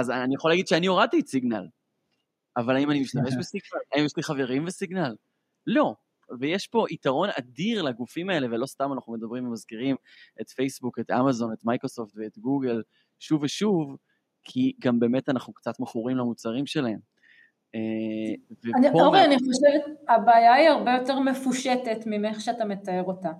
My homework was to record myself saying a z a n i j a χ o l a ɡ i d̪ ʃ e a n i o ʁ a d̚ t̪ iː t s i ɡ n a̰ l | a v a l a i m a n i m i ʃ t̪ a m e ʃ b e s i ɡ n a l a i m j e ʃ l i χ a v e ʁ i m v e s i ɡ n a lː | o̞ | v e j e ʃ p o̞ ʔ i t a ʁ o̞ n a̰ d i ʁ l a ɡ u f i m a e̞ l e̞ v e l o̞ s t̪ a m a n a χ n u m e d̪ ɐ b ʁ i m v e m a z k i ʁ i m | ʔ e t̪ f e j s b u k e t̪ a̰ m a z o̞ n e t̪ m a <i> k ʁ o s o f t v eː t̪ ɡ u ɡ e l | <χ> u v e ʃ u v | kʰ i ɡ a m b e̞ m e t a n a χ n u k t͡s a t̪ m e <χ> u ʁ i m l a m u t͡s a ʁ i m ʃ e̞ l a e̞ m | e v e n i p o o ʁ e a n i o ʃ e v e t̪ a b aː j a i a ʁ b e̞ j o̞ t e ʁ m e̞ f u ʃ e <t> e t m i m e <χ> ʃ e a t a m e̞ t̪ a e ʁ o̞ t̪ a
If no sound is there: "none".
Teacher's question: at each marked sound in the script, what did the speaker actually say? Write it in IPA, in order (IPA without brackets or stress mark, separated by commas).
j, ʃ, χ, t, χ